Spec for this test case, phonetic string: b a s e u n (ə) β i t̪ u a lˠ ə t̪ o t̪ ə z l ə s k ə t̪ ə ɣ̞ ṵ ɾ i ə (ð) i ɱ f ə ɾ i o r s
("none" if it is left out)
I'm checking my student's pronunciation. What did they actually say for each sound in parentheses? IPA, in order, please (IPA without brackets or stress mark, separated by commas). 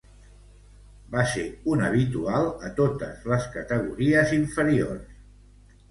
ə, z